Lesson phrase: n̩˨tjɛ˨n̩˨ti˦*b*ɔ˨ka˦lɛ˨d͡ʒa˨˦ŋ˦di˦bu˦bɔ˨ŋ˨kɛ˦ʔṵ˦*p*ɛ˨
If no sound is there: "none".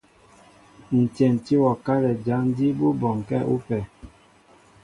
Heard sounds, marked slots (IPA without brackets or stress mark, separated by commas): w, p